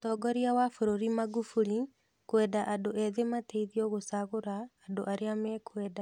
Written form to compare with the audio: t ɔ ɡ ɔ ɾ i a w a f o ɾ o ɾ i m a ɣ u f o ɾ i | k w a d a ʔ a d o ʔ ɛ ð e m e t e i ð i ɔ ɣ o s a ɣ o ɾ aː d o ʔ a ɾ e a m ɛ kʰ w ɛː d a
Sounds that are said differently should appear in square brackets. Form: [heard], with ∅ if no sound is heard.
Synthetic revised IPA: t ɔ ɡ ɔ ɾ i a w a f o ɾ o ɾ i m a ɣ u f [u] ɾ i | k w [ɛ] d a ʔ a d o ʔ ɛ ð e m [a] t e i ð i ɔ ɣ o s a ɣ o ɾ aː d o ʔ a ɾ e a m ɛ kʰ w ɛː d a